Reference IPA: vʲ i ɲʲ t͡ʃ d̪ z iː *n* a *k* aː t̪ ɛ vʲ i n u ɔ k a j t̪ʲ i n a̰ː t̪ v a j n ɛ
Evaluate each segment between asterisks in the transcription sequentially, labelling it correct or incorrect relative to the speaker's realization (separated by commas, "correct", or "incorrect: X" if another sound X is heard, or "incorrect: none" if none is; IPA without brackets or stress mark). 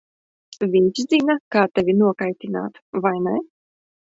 correct, correct